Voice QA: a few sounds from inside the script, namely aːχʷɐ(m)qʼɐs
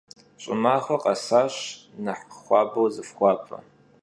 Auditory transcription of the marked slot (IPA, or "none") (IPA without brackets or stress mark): none